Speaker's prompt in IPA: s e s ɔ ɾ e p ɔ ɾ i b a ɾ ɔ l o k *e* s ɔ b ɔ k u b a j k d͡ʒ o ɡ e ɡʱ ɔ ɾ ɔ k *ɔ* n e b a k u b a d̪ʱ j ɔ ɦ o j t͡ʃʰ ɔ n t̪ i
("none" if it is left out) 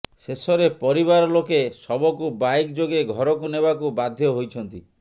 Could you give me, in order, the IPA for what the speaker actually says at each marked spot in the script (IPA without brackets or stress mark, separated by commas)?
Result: e, u